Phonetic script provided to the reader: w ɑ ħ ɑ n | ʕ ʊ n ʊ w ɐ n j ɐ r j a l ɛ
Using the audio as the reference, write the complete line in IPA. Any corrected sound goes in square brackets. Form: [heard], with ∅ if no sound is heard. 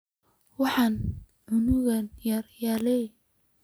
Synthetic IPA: w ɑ ħ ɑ n | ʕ ʊ n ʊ [ɣ] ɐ n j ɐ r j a l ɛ